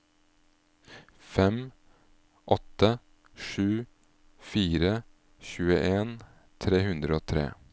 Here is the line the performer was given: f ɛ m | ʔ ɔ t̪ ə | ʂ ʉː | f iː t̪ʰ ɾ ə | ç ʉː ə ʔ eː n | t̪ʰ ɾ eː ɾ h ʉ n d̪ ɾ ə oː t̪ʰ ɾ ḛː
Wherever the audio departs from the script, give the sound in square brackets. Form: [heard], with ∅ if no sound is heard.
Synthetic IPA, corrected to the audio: f ɛ m | ʔ ɔ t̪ ə | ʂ ʉː | f iː [∅] ɾ ə | ç ʉː ə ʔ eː n | t̪ʰ ɾ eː [∅] h ʉ n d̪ ɾ ə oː t̪ʰ ɾ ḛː